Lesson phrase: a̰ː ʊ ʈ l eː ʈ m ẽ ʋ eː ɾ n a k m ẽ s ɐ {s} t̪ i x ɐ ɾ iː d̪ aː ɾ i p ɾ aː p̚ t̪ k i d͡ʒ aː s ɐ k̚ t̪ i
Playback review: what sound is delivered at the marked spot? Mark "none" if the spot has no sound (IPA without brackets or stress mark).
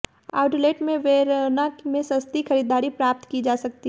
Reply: s